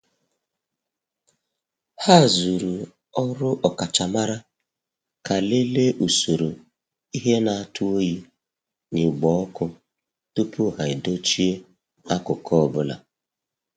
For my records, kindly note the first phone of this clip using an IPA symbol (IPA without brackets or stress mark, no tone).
h